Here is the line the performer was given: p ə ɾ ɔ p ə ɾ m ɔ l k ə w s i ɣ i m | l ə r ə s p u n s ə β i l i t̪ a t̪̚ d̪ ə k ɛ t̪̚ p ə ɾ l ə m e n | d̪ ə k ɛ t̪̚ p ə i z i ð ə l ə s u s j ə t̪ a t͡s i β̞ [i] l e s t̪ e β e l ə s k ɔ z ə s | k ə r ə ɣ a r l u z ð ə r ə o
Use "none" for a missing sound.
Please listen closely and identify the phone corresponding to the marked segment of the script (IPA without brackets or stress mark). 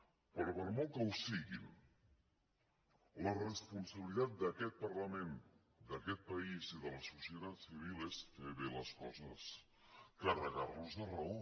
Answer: i